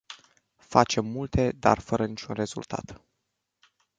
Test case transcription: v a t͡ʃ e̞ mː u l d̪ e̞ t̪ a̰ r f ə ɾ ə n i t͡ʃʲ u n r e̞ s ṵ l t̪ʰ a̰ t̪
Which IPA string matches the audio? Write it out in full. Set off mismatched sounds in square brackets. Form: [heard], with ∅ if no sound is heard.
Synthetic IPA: [f] a t͡ʃ e̞ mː u l [t̪] e̞ [d̪] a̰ r f ə ɾ ə n i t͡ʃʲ u n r e̞ [z] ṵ l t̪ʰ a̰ t̪

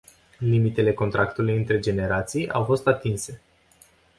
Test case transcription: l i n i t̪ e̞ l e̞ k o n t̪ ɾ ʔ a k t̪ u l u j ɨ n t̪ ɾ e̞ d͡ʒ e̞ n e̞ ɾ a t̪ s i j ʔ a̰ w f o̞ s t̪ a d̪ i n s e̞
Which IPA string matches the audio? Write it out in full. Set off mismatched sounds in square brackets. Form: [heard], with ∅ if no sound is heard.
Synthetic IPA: l i [m] i t̪ e̞ l e̞ k o n t̪ ɾ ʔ a k t̪ u l u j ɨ n t̪ ɾ e̞ d͡ʒ e̞ n e̞ ɾ a t̪ s i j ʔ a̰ w f o̞ s t̪ a [t̪] i n s e̞

